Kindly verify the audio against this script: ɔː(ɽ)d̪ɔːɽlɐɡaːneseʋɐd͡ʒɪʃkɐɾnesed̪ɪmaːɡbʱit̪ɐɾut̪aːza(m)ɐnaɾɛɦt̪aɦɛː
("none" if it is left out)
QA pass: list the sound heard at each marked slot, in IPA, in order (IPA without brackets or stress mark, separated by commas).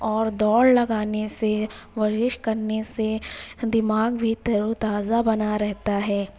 ɾ, b